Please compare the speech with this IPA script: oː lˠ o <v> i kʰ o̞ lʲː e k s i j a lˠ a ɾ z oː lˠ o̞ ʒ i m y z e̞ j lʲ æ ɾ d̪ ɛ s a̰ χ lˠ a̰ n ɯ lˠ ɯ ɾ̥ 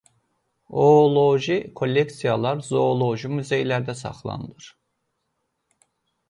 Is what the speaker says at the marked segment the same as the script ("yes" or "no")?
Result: no